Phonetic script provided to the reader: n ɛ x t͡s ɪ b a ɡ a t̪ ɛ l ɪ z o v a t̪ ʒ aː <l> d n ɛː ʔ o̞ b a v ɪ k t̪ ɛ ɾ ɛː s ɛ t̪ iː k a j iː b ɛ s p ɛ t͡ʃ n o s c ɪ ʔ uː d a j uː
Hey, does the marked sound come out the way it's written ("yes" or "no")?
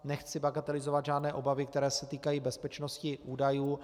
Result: no